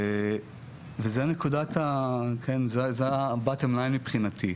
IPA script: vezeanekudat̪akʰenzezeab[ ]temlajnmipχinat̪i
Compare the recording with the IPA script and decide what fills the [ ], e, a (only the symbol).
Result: a